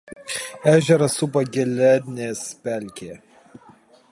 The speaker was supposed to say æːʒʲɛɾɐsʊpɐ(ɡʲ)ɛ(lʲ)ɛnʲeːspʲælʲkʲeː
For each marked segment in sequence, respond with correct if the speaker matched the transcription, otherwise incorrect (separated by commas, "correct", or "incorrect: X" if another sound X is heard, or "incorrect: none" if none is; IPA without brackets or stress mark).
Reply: correct, correct